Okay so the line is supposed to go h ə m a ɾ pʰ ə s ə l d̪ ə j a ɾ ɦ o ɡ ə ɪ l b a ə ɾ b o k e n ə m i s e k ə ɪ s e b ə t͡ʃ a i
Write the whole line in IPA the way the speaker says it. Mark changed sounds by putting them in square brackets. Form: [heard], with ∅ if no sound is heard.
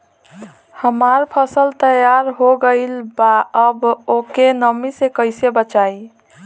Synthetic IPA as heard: h ə m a ɾ pʰ ə s ə l [t̪] ə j a ɾ ɦ o ɡ ə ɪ l b a ə [∅] b o k e n ə m i s e k ə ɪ s e b ə t͡ʃ a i

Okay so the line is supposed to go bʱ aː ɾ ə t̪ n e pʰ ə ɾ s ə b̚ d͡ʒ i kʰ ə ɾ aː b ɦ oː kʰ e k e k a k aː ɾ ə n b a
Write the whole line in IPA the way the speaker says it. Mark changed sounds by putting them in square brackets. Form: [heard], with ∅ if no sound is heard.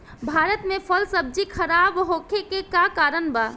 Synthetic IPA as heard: bʱ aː ɾ ə t̪ [m] e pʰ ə [l] s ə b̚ d͡ʒ i kʰ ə ɾ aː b ɦ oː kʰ e k e k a k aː ɾ ə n b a

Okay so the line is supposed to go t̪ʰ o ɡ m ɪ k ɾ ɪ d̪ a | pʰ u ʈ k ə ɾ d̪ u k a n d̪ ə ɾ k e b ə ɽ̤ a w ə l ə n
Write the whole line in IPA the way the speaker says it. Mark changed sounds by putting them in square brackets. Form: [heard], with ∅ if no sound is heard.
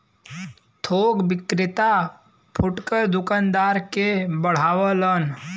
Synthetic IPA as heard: t̪ʰ o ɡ [b] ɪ k ɾ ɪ [t̪] a | pʰ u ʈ k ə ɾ d̪ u k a n d̪ [a] ɾ k e b ə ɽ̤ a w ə l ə n

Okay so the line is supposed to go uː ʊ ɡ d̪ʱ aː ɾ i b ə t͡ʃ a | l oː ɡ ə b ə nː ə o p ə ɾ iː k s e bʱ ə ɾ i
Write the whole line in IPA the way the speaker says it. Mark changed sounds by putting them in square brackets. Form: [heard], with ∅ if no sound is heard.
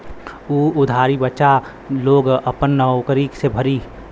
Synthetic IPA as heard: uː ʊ [∅] d̪ʱ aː ɾ i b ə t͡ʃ a | l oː ɡ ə [p] ə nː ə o [k] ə ɾ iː k s e bʱ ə ɾ i

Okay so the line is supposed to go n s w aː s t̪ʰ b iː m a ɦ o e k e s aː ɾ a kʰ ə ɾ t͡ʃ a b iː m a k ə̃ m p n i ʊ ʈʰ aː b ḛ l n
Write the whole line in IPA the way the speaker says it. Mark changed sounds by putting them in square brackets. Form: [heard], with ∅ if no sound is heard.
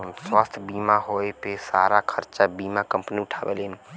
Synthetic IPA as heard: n s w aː s t̪ʰ b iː m a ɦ o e [p] e s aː ɾ a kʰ ə ɾ t͡ʃ a b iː m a k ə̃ m p n i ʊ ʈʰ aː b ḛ l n

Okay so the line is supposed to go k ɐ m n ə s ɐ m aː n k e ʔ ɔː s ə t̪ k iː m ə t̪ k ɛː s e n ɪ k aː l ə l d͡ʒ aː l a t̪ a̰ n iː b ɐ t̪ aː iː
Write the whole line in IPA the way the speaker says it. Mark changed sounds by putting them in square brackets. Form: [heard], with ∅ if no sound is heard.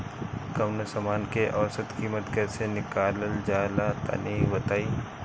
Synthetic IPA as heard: k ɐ m n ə s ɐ m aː n k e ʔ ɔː s ə t̪ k iː m ə t̪ k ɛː s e n ɪ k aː l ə l d͡ʒ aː l a t̪ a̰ n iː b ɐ t̪ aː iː

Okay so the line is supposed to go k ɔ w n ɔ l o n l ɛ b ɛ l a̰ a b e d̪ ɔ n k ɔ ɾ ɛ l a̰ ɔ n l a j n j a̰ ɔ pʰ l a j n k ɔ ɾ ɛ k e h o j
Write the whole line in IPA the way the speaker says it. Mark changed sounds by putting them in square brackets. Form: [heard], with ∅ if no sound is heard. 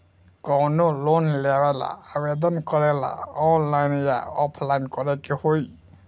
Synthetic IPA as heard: k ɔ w n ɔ l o n l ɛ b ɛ l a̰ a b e d̪ ɔ n k ɔ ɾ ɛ l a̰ ɔ n l a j n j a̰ ɔ pʰ l a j n k ɔ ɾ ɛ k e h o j

